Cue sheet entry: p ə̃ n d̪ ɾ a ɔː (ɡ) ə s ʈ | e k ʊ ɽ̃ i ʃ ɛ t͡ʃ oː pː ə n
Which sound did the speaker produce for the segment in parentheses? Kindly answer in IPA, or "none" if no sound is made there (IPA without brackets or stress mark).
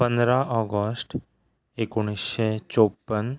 ɡ